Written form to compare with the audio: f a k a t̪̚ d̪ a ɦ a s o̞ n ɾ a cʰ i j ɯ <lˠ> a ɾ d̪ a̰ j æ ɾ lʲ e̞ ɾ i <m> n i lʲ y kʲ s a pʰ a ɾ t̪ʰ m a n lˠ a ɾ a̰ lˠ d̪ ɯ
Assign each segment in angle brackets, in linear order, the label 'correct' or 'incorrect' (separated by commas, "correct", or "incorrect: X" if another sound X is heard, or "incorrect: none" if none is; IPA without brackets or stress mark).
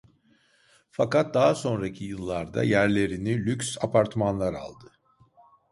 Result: incorrect: lˠː, incorrect: none